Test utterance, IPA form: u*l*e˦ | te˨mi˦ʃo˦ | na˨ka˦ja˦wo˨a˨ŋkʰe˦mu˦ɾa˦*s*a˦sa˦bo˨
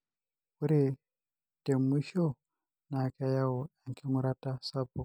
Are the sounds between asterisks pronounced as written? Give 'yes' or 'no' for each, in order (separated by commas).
no, no